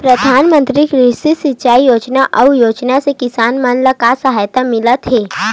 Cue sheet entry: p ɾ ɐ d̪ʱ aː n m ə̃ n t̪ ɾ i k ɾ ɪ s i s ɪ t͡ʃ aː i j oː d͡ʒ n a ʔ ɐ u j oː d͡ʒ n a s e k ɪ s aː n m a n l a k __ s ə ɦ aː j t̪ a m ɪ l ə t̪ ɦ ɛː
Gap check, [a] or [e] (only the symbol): a